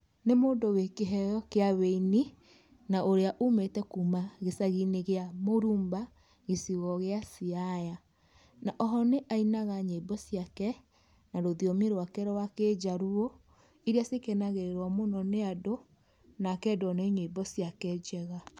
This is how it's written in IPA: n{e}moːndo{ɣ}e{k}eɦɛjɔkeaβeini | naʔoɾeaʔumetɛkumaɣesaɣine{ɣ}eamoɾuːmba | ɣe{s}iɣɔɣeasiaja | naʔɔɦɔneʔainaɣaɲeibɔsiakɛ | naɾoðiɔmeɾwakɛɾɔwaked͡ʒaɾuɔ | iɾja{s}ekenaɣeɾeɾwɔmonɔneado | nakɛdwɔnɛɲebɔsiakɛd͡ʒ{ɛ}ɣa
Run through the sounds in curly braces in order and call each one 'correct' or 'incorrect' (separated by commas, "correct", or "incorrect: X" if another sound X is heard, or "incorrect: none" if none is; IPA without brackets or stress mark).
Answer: correct, incorrect: w, correct, correct, correct, correct, correct